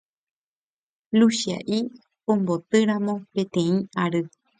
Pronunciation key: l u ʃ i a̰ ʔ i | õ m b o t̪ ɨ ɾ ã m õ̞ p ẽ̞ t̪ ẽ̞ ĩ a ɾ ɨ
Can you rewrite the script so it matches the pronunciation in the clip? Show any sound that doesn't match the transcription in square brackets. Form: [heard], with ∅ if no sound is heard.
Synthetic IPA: l u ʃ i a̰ ʔ i | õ m b o t̪ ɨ ɾ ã m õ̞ p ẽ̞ t̪ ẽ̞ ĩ a ɾ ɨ